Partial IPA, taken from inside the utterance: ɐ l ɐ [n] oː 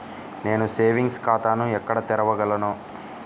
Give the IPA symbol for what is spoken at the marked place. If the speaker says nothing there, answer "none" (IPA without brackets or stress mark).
n